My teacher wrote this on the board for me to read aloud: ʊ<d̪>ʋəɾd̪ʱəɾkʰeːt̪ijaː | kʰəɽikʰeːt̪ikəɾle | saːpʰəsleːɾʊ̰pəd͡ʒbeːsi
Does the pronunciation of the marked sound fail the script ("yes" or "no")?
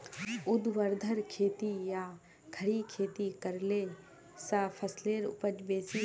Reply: no